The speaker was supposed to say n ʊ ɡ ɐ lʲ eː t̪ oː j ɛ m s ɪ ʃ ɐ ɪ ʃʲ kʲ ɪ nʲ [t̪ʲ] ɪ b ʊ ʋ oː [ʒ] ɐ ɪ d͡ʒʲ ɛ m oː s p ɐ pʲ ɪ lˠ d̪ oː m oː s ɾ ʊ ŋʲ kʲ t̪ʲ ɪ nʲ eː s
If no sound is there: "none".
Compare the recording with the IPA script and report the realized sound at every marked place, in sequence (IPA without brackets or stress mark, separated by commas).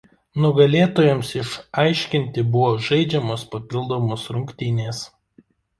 t̪ʲ, ʒ